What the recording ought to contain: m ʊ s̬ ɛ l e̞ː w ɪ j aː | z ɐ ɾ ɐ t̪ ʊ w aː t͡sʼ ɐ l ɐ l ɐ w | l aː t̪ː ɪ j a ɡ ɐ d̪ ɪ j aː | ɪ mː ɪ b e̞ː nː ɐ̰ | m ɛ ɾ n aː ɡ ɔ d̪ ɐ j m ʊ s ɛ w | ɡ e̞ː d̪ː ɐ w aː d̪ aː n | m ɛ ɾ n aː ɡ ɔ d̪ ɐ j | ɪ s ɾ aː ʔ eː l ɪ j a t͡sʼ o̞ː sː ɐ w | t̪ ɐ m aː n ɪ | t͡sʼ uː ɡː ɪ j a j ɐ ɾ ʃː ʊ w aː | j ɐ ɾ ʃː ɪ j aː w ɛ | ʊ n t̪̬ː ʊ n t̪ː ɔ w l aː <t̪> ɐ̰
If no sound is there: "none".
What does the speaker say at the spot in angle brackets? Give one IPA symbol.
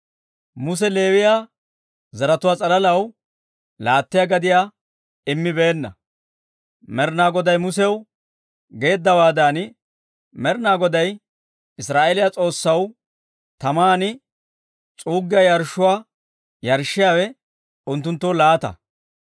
t̪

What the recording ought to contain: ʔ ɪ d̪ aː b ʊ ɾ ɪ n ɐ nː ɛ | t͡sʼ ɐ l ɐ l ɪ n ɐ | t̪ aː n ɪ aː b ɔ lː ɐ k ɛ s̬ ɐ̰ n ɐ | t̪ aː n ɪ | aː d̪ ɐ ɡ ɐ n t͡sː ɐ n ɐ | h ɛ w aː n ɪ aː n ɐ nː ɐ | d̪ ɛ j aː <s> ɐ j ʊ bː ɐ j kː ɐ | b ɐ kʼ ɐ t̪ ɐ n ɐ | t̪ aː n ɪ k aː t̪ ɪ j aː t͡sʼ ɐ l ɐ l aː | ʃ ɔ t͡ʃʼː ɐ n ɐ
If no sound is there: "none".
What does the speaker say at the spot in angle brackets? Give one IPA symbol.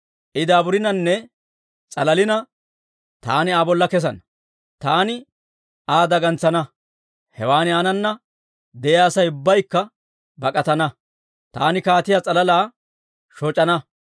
s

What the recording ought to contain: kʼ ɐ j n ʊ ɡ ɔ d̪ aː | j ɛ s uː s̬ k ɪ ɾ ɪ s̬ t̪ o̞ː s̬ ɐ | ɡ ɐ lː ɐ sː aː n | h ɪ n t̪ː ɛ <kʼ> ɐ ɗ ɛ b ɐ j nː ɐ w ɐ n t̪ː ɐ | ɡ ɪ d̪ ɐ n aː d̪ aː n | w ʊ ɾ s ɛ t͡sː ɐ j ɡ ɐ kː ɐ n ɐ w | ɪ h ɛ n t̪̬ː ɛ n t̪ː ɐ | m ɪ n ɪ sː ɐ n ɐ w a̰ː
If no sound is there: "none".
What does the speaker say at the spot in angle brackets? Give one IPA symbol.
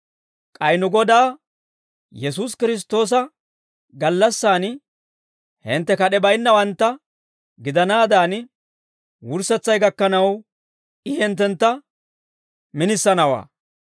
k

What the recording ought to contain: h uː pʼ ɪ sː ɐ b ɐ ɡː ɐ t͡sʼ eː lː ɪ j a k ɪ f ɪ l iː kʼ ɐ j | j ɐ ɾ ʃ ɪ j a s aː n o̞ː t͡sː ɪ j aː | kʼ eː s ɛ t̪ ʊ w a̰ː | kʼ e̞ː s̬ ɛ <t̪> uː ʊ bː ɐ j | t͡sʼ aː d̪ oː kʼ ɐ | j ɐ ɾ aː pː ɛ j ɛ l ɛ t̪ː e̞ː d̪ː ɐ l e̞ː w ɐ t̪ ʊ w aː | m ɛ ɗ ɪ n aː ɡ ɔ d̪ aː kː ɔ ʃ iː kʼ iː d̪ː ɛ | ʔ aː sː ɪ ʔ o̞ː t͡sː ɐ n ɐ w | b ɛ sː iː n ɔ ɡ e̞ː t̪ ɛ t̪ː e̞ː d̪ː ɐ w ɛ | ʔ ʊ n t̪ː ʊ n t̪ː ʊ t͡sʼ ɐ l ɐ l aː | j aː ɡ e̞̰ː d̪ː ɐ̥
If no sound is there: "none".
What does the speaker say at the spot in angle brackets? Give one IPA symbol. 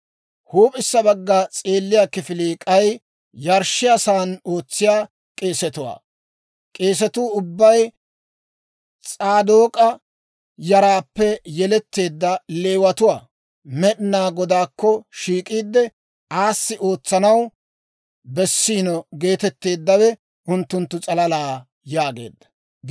t̪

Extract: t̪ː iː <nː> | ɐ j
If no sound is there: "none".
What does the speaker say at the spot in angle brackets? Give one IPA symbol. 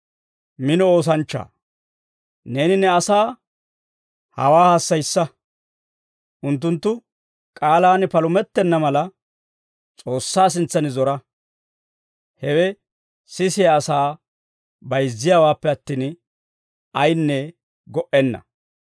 n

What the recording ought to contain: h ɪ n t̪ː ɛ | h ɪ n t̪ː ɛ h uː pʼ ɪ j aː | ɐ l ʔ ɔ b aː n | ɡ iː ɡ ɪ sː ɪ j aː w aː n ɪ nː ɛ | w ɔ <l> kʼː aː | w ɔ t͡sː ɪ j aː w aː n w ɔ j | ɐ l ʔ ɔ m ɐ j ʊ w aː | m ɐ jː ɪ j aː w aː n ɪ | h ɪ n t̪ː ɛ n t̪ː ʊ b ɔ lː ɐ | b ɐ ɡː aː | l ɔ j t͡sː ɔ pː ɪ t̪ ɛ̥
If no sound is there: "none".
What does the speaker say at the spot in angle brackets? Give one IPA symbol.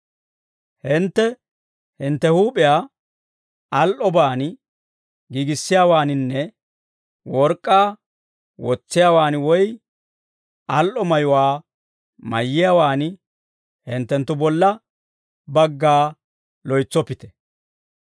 ɾ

